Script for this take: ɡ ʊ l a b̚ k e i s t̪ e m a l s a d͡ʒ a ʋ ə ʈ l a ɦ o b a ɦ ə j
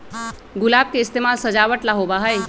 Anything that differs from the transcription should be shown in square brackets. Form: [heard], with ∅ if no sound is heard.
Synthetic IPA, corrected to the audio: ɡ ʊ l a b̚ k e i s t̪ e m a l s [ə] d͡ʒ a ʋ ə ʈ l a ɦ o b a ɦ ə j